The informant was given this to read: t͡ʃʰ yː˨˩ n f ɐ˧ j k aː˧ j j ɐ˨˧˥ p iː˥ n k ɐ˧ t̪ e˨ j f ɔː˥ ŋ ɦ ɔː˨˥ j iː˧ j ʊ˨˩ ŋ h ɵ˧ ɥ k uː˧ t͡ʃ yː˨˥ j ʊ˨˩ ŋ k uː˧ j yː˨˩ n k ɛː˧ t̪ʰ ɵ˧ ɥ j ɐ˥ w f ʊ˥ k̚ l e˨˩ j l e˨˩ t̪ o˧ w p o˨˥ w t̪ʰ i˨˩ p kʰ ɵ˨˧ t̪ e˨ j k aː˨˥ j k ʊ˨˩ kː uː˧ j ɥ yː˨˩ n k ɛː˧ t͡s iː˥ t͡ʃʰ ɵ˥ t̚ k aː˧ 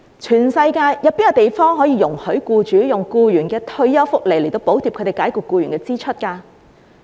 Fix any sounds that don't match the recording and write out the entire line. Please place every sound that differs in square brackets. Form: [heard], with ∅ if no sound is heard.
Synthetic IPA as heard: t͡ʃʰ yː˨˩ n [s] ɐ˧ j k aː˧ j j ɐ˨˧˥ p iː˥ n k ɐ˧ t̪ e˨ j f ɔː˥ ŋ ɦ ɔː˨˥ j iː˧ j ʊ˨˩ ŋ h [ɵ˨˥] ɥ k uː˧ t͡ʃ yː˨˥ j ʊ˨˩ ŋ k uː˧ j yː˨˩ n k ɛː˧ t̪ʰ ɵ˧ ɥ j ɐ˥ w f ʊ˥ k̚ l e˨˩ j l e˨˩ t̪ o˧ w p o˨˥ w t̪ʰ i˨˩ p kʰ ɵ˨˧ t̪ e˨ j k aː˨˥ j k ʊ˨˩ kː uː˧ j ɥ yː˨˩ n k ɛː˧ t͡s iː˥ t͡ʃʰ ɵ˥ t̚ k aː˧